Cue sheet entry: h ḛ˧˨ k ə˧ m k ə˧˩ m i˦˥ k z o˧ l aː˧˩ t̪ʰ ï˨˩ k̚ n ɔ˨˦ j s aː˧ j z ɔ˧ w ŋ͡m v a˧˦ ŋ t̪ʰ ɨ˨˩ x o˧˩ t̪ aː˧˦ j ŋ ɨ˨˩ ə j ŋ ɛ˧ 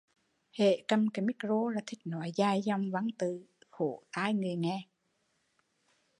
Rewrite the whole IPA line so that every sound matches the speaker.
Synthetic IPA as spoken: h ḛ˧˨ k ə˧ m k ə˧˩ m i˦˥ k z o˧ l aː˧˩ t̪ʰ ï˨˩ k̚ n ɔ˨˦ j z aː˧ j z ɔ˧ w ŋ͡m v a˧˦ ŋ t̪ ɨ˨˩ x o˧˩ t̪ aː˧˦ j ŋ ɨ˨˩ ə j ŋ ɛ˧